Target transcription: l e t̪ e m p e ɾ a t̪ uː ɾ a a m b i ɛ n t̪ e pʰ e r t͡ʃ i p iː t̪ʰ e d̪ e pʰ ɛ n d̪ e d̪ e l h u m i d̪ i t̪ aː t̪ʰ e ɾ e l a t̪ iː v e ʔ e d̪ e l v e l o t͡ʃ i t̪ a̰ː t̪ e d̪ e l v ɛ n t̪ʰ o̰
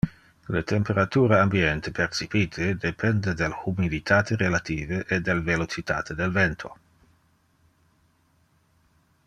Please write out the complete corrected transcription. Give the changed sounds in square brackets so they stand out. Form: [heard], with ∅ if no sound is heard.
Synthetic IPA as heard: l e t̪ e m p e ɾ a t̪ uː ɾ a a m b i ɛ n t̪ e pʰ e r t͡ʃ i p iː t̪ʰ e d̪ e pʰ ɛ n d̪ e d̪ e l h u m i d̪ i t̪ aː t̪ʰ e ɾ e l a t̪ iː v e ʔ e d̪ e l v e l o t͡ʃ i t̪ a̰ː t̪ e d̪ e l v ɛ n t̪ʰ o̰